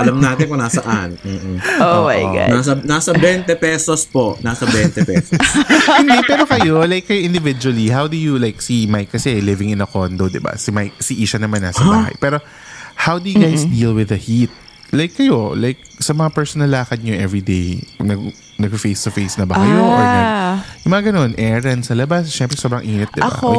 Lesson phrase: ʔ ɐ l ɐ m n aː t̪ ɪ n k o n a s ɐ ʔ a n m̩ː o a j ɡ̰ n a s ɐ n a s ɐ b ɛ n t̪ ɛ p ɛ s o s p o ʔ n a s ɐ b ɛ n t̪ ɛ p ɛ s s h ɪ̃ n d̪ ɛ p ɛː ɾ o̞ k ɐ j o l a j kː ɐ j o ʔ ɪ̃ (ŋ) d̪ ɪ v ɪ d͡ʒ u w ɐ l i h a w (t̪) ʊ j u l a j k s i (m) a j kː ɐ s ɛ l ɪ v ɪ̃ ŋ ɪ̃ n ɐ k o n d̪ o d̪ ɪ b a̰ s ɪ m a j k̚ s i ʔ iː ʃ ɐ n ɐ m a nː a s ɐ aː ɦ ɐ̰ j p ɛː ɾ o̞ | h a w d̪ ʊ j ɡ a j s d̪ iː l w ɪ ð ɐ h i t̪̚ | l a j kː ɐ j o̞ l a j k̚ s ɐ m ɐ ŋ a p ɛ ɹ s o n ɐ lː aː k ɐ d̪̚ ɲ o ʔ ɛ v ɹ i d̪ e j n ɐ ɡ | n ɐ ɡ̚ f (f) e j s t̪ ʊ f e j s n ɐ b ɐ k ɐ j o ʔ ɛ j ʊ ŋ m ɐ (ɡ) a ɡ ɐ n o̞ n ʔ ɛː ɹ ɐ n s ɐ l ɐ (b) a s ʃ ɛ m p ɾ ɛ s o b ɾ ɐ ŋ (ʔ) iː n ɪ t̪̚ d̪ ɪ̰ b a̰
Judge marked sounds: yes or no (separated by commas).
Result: no, no, yes, yes, no, yes, yes